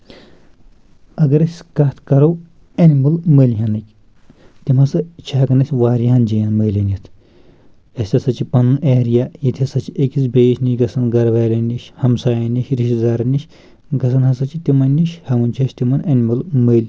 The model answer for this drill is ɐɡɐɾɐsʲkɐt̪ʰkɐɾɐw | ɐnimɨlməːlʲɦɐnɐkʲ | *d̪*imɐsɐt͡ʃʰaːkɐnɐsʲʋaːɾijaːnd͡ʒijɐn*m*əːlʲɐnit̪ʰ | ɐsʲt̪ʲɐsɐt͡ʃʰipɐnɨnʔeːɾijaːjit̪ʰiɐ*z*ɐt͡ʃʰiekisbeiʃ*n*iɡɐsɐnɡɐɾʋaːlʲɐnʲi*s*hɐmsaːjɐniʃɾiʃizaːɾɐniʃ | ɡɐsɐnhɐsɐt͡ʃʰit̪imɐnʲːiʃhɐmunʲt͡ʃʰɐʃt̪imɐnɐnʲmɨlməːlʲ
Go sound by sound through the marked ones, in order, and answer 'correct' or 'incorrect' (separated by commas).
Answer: incorrect, correct, incorrect, correct, incorrect